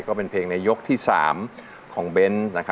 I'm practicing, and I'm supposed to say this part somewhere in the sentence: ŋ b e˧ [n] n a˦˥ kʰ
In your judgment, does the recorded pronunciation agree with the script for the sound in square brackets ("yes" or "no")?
yes